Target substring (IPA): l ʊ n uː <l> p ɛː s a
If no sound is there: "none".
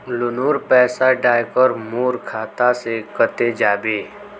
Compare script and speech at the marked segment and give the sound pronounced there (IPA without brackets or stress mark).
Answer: ɾ